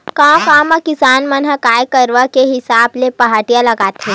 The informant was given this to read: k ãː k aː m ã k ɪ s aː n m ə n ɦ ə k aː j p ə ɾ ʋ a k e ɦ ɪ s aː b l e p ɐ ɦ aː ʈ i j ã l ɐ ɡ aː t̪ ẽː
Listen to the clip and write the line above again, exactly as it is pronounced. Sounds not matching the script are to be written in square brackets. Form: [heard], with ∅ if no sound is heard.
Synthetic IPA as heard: k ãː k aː m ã k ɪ s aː n m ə n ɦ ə k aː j [k] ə ɾ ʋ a k e ɦ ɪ s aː b l e p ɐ ɦ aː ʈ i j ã l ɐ ɡ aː t̪ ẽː

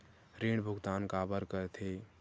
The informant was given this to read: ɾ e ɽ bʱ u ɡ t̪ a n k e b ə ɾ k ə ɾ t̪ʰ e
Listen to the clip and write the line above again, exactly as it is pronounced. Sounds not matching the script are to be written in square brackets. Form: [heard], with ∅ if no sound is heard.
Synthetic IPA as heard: ɾ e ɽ bʱ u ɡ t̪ a n k [a] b ə ɾ k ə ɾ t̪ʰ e

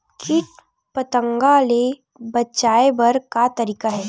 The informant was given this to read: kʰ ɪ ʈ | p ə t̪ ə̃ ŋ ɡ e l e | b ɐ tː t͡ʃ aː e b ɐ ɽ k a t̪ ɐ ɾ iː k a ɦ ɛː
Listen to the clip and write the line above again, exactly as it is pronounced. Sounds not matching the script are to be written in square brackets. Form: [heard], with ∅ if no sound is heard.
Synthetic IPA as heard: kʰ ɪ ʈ | p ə t̪ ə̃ ŋ ɡ [a] l e | b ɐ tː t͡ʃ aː e b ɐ [ɾ] k a t̪ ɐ ɾ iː k a ɦ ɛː

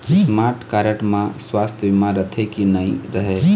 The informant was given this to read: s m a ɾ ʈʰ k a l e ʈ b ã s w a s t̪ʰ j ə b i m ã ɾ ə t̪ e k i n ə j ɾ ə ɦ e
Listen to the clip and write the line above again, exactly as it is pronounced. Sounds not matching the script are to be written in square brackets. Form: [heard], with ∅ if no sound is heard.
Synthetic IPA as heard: s m a ɾ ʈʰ k a [ɾ] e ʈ [m] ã s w a s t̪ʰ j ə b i m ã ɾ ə [t̪ʰ] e k i n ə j ɾ ə ɦ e

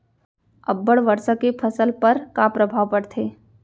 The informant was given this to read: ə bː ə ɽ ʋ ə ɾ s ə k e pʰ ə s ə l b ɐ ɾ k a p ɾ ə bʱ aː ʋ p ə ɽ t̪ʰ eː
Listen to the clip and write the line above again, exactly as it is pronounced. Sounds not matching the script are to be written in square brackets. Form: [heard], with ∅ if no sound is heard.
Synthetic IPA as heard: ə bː ə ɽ ʋ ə ɾ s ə k e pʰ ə s ə l [p] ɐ ɾ k a p ɾ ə bʱ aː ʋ p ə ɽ t̪ʰ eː

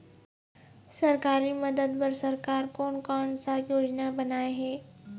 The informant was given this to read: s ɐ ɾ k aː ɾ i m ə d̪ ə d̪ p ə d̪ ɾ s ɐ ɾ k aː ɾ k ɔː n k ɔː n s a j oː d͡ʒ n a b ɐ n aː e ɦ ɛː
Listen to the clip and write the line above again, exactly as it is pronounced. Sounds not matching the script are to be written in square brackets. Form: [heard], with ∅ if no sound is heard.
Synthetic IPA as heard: s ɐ ɾ k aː ɾ i m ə d̪ ə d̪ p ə [∅] ɾ s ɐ ɾ k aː ɾ k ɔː n k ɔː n s a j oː d͡ʒ n a b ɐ n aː e ɦ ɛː

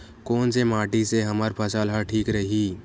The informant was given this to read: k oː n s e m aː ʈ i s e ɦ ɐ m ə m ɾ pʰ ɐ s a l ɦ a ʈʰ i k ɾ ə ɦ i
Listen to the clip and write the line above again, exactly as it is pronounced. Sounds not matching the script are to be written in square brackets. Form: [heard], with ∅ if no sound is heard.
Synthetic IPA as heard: k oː n s e m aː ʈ i s e ɦ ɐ m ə [∅] ɾ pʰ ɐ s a l ɦ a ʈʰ [iː] k ɾ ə ɦ i

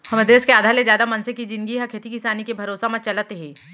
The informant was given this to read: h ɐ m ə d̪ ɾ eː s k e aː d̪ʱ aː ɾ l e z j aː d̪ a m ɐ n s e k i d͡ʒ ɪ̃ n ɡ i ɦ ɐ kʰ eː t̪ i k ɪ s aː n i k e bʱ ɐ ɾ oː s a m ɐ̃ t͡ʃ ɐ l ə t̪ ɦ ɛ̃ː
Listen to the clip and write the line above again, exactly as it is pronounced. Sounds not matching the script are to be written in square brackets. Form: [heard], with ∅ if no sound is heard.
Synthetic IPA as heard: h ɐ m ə d̪ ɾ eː s k e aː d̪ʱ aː ɾ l e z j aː d̪ a m ɐ n s e k i d͡ʒ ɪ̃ n ɡ i ɦ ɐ kʰ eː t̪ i k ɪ s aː n i k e bʱ ɐ ɾ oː s a m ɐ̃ t͡ʃ ɐ l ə t̪ ɦ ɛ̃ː

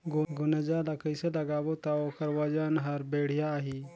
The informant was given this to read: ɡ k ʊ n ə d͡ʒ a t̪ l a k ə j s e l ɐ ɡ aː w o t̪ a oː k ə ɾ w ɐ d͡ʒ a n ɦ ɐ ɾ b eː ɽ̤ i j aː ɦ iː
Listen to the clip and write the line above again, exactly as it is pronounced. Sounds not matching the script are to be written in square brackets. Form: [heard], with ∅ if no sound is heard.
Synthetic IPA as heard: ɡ [ɡ] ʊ n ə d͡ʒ a [∅] l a k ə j s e l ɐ ɡ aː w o t̪ a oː k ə ɾ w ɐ d͡ʒ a n ɦ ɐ ɾ b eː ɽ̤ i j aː ɦ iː

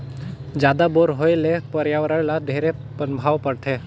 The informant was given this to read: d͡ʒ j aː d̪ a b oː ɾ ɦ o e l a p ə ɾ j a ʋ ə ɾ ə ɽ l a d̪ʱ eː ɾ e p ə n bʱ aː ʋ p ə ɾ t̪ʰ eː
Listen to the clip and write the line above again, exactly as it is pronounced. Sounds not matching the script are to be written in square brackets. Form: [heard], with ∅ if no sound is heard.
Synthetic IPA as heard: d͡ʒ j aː d̪ a b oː ɾ ɦ o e l [e] p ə ɾ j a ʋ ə ɾ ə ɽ l a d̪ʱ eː ɾ e p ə n bʱ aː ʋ p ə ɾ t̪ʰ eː

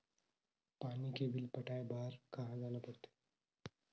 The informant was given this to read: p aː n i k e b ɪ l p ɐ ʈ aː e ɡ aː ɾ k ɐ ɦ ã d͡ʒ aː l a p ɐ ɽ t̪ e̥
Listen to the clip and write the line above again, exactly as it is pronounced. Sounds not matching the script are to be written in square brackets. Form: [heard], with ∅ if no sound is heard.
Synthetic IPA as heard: p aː n i k e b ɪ l p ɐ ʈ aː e [b] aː ɾ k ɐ ɦ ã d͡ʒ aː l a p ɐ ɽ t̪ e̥

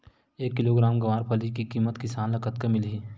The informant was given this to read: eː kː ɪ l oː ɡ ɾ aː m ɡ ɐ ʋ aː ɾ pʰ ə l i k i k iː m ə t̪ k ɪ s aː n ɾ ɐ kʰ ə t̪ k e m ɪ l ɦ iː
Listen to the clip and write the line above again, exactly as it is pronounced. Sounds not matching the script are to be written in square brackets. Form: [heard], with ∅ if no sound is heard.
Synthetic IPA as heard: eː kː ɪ l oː ɡ ɾ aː m ɡ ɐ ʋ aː ɾ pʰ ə l i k i k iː m ə t̪ k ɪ s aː n [l] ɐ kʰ ə t̪ k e m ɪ l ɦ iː

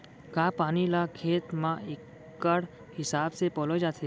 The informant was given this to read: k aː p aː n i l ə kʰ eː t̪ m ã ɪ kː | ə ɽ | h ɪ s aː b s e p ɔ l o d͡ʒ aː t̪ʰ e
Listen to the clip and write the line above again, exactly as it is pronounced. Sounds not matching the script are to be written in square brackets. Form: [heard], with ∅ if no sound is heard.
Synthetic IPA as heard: k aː p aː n i l [a] kʰ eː t̪ m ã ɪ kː | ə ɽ | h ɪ s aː b s e p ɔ l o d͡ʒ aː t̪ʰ e

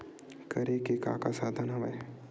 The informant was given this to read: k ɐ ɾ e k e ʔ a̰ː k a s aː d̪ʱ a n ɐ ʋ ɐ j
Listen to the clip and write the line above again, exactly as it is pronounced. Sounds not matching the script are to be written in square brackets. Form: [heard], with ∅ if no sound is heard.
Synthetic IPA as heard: k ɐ ɾ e k e [k] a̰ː k a s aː d̪ʱ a n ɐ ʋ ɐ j

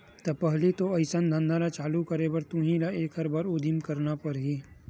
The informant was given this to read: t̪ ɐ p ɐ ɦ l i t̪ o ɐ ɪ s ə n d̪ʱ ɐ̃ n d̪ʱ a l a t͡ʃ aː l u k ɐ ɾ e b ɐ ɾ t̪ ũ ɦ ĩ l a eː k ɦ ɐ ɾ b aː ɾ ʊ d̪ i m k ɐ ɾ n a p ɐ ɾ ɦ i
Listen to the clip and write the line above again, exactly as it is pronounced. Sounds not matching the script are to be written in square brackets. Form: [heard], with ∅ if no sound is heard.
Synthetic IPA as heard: t̪ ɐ p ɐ ɦ l i t̪ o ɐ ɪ s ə n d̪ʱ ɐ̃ n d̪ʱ a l a t͡ʃ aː l u k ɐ ɾ e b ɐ ɾ t̪ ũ ɦ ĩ l a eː k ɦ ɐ ɾ b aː ɾ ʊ d̪ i m k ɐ ɾ n a p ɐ ɾ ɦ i

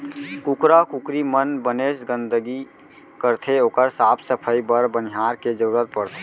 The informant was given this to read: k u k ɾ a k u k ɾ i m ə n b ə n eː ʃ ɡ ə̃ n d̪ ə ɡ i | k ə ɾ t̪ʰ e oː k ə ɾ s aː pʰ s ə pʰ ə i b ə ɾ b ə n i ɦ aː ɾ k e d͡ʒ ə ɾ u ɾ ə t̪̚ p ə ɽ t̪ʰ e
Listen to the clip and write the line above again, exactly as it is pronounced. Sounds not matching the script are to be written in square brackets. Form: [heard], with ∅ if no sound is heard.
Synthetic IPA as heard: k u k ɾ a k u k ɾ i m ə n b ə n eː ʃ ɡ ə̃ n d̪ ə ɡ i | k ə ɾ t̪ʰ e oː k ə ɾ s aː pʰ s ə pʰ ə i b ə ɾ b ə n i ɦ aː ɾ k e d͡ʒ ə ɾ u ɾ ə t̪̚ p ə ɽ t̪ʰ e

